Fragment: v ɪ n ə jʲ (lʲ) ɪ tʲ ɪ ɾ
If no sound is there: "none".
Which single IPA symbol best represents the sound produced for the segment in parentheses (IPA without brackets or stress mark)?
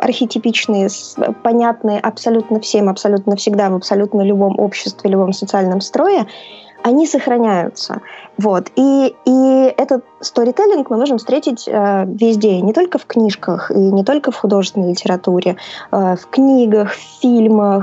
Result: lʲ